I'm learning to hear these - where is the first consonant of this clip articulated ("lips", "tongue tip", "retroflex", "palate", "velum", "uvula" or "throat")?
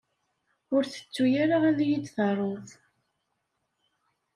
tongue tip